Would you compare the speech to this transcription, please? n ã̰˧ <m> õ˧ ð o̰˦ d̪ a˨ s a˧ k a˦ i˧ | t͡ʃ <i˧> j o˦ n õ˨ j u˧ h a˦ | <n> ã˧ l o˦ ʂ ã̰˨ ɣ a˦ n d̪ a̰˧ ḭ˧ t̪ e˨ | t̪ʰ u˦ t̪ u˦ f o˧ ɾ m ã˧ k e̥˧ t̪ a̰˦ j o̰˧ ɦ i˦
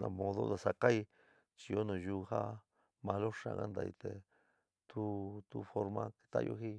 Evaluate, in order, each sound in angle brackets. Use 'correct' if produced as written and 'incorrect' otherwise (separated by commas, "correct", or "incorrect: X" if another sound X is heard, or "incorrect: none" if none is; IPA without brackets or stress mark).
correct, correct, incorrect: m